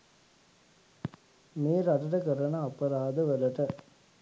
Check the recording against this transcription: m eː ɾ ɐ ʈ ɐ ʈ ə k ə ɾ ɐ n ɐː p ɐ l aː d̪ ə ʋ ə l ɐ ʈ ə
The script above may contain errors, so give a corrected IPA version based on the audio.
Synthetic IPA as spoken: m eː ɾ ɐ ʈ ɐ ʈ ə k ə ɾ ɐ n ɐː p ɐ ɾ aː d̪ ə ʋ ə l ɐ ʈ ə